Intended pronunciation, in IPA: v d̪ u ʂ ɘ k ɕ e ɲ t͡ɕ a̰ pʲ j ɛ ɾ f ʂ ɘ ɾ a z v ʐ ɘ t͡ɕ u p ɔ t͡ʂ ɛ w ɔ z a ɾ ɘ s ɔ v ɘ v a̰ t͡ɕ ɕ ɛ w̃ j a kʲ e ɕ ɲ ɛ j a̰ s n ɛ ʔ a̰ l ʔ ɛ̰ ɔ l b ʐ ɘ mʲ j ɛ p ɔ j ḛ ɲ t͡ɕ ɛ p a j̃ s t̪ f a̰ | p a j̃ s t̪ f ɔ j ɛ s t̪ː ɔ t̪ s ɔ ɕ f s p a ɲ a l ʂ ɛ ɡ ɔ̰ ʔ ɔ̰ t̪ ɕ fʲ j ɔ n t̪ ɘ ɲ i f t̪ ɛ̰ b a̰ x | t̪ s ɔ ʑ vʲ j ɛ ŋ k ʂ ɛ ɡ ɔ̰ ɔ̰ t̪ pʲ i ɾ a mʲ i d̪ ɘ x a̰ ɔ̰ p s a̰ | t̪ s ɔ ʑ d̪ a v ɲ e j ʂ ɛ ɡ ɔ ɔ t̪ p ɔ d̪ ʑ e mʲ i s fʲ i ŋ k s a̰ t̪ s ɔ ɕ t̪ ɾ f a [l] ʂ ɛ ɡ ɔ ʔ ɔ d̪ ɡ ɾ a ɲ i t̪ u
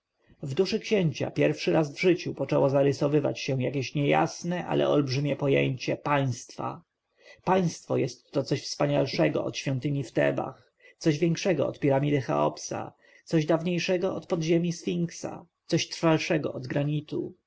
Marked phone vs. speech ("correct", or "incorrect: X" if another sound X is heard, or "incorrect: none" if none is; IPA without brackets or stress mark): correct